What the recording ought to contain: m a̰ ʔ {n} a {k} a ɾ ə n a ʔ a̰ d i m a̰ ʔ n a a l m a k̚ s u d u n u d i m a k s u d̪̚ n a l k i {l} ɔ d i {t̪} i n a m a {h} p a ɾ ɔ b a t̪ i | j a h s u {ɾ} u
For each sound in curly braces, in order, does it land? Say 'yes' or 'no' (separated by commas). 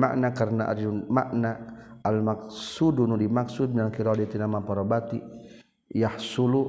yes, yes, no, yes, no, no